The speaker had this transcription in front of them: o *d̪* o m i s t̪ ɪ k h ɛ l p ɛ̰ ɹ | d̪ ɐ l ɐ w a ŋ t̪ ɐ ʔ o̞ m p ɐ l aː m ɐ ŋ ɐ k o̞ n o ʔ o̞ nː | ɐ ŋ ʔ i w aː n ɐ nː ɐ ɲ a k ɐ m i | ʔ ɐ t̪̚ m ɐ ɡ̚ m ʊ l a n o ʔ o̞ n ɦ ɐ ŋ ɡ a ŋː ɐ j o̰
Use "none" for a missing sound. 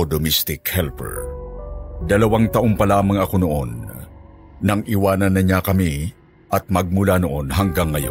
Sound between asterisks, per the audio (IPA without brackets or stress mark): d̪